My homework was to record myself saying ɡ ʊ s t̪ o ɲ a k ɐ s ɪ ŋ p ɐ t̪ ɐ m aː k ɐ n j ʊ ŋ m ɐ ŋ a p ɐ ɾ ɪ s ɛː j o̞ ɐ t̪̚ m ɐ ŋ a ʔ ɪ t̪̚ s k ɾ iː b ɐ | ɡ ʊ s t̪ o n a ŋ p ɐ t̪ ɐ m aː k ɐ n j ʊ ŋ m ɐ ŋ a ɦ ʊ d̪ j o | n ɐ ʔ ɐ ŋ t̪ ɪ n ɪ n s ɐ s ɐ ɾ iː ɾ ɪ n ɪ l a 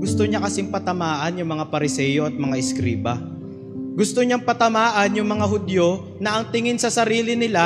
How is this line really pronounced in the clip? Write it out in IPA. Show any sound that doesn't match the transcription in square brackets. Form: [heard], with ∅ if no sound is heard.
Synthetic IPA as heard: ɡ ʊ s t̪ o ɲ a k ɐ s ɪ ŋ p ɐ t̪ ɐ m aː [ʔ] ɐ n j ʊ ŋ m ɐ ŋ a p ɐ ɾ ɪ s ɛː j o̞ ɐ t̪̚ m ɐ ŋ a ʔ ɪ [∅] s k ɾ iː b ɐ | ɡ ʊ s t̪ o [ɲ] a ŋ p ɐ t̪ ɐ m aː [ʔ] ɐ n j ʊ ŋ m ɐ ŋ a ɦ ʊ d̪ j o | n ɐ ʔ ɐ ŋ t̪ ɪ [ŋ] ɪ n s ɐ s ɐ ɾ iː [l] ɪ n ɪ l a